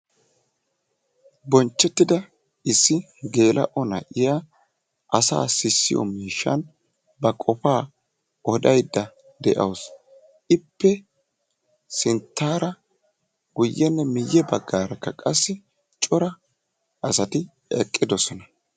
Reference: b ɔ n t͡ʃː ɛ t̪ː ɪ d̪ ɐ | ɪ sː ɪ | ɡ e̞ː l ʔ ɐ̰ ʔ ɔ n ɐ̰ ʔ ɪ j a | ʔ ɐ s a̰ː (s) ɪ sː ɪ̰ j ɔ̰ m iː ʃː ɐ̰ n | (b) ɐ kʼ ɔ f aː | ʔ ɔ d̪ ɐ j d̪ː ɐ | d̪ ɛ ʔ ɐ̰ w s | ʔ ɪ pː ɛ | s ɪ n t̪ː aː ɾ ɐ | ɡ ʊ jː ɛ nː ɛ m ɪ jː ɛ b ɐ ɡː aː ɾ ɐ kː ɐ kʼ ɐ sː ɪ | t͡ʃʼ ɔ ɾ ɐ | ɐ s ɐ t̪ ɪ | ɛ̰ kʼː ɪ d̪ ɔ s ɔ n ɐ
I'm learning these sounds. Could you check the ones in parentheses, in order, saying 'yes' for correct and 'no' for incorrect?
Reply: yes, yes

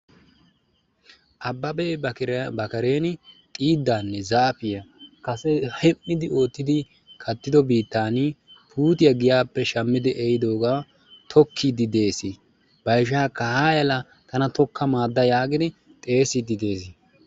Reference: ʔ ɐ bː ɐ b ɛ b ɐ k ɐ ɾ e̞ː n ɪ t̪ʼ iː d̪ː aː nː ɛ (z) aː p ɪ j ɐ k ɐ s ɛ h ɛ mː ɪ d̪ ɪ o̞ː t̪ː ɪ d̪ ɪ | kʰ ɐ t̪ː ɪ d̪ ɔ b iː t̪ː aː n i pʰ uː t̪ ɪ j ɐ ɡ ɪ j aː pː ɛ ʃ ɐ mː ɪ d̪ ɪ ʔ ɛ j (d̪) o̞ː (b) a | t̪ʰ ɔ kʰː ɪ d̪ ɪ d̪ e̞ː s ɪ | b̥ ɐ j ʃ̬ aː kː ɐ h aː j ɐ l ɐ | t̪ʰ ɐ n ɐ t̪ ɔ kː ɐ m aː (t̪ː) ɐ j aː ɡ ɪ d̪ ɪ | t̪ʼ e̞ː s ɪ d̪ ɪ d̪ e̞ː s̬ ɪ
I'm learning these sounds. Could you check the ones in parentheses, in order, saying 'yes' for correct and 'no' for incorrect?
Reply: yes, yes, no, no

